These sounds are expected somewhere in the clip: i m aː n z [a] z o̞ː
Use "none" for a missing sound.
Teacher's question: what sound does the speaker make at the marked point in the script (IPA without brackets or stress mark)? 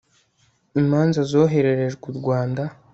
a